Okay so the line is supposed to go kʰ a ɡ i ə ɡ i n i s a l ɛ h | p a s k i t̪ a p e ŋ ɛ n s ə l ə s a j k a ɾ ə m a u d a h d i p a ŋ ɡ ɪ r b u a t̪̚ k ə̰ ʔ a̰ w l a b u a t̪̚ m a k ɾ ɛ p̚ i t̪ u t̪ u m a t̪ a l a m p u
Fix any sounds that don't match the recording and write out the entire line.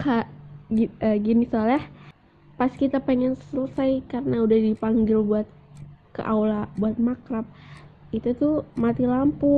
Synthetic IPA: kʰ a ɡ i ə ɡ i n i s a l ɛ h | p a s k i t̪ a p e ŋ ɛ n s ə l ə s a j k a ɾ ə n a u d a h d i p a ŋ ɡ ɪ l b u a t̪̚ k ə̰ ʔ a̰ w l a b u a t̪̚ m a k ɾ a p̚ i t̪ u t̪ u m a t̪ i l a m p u